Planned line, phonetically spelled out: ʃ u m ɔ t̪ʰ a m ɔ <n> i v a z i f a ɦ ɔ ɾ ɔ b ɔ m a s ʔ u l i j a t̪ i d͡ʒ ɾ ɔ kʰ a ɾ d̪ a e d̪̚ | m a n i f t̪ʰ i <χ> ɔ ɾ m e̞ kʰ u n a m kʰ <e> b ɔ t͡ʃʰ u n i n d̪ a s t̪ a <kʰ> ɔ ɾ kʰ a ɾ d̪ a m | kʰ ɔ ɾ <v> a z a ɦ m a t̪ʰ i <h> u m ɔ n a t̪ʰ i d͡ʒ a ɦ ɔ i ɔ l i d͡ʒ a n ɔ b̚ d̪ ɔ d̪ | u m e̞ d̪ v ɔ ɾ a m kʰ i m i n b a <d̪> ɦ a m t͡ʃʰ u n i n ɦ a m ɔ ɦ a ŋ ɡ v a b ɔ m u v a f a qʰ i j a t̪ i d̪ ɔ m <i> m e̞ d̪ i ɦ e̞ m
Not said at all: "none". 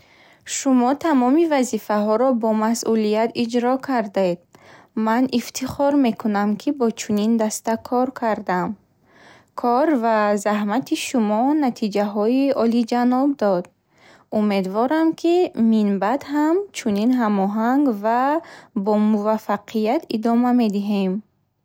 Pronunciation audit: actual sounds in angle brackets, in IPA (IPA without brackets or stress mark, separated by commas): m, χ, i, kʰ, v, ʃ, d̪, a